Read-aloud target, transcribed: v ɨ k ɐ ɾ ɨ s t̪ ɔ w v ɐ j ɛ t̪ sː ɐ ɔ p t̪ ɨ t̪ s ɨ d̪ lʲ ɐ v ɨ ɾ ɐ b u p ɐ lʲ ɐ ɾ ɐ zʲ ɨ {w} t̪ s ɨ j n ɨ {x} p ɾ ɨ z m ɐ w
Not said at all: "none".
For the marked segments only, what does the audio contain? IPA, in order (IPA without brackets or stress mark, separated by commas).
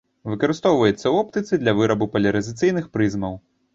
none, x